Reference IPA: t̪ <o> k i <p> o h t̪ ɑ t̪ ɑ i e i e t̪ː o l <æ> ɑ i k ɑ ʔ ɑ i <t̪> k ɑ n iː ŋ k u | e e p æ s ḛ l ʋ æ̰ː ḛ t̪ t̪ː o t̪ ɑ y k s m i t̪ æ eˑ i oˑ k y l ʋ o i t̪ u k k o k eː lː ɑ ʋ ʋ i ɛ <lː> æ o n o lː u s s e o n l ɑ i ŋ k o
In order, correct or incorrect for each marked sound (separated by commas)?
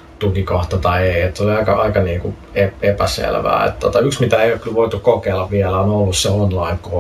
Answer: incorrect, incorrect, incorrect, incorrect, incorrect